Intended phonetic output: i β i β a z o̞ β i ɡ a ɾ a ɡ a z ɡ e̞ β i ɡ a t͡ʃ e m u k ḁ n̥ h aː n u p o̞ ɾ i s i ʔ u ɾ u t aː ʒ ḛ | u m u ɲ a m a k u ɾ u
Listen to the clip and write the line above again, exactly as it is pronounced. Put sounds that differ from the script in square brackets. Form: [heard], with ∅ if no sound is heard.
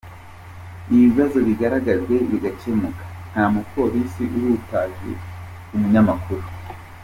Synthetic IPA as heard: i β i β a z o̞ β i ɡ a ɾ a ɡ a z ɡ e̞ β i ɡ a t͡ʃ e m u k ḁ n̥ h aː [m] u p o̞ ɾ i s i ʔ u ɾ u t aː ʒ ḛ | u m u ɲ a m a k u ɾ u